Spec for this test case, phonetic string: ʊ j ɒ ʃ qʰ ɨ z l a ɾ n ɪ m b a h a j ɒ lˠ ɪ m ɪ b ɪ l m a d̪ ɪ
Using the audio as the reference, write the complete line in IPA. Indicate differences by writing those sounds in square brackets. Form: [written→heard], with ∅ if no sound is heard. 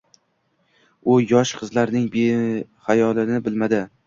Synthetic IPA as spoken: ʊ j ɒ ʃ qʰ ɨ z l a ɾ n ɪ [m→ŋ] b [a→e] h a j ɒ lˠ ɪ [m→n] ɪ b ɪ l m a d̪ ɪ